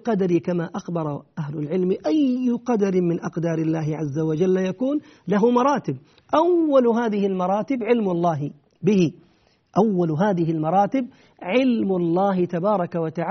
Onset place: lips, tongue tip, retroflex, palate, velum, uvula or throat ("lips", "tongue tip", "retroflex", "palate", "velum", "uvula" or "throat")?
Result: uvula